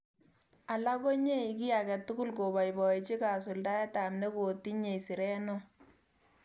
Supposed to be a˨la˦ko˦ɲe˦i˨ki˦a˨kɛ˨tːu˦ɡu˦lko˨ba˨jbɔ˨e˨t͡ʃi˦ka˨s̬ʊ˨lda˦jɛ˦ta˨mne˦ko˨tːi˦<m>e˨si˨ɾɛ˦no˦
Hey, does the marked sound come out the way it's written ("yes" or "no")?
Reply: no